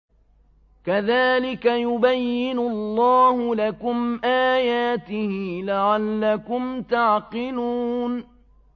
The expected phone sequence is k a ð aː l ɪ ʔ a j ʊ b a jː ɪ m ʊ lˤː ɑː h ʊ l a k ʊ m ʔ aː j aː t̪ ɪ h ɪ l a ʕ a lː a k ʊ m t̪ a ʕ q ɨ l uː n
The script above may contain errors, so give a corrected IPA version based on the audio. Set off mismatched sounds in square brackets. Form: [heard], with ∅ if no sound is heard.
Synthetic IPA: k a ð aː l ɪ [k] a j ʊ b a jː ɪ [n] ʊ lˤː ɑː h ʊ l a k ʊ m ʔ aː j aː t̪ ɪ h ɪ l a ʕ a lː a k ʊ m t̪ a ʕ q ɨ l uː n